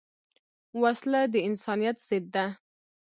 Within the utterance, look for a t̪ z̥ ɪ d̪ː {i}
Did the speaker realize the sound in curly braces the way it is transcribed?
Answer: no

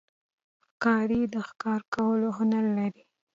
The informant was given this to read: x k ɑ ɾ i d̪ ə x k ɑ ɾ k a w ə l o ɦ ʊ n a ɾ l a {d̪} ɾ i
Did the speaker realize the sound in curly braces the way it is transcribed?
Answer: no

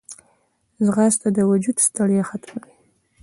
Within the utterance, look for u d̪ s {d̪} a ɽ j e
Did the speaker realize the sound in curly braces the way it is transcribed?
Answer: no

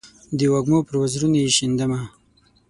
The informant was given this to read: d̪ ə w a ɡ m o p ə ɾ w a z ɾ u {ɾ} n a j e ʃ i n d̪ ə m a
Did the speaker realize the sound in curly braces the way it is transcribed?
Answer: no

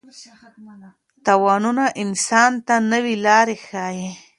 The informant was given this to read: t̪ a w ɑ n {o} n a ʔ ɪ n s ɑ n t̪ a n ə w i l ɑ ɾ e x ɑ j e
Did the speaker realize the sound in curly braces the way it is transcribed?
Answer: no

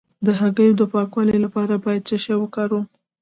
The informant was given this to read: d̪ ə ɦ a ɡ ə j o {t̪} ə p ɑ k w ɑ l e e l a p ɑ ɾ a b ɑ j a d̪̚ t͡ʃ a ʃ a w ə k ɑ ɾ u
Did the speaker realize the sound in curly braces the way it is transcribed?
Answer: no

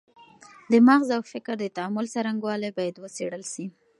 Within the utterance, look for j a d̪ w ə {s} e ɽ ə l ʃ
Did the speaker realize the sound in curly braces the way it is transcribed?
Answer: yes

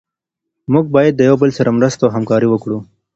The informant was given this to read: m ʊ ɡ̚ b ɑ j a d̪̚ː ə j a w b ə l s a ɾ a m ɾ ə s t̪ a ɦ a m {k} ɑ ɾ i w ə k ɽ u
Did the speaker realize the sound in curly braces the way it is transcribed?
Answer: yes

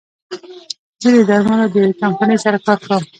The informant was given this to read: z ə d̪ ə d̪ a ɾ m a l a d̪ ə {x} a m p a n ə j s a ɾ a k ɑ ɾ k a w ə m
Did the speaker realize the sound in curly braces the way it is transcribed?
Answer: no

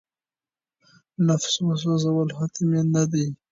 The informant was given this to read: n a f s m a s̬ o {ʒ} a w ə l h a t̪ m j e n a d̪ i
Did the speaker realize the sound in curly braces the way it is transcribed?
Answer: no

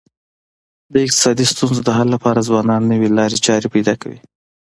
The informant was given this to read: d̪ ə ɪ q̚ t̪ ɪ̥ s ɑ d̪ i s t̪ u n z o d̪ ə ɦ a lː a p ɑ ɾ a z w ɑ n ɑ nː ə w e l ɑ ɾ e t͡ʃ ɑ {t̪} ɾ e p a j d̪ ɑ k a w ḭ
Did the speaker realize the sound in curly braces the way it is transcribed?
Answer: no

